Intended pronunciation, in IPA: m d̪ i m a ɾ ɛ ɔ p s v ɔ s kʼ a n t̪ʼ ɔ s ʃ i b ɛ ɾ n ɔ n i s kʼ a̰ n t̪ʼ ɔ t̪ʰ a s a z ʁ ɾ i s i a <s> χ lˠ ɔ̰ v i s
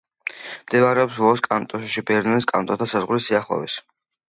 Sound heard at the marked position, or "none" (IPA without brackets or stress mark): none